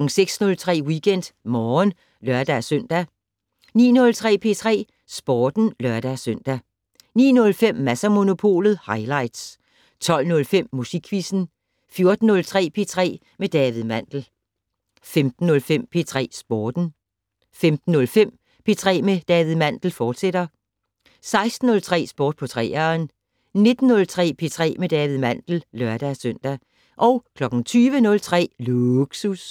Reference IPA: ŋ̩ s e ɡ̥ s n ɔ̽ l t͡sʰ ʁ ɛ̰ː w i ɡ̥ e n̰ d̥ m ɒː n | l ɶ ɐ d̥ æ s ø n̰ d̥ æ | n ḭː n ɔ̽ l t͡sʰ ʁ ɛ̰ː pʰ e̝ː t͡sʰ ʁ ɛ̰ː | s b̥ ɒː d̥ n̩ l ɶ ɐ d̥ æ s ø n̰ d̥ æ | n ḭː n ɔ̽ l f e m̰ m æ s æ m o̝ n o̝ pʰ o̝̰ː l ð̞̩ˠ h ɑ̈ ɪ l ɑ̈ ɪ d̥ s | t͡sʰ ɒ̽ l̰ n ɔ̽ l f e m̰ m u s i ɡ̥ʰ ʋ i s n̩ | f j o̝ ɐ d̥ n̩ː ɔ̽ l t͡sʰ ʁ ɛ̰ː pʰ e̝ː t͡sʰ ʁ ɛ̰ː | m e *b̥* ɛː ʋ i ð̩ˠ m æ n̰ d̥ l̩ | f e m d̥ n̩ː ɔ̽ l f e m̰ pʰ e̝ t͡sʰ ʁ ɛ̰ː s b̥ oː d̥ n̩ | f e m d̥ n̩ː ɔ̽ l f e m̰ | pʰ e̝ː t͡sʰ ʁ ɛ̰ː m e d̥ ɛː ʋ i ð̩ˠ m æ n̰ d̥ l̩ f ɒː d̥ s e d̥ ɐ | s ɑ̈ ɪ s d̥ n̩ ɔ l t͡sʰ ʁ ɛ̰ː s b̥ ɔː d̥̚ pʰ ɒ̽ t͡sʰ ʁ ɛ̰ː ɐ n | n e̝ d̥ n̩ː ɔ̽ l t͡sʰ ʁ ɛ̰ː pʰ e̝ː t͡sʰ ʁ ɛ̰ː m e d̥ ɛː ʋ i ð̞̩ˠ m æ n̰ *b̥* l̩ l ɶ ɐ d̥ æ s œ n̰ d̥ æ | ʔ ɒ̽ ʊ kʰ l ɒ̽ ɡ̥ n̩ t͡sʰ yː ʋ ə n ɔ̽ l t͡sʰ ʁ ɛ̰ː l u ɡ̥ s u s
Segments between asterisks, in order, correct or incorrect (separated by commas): incorrect, incorrect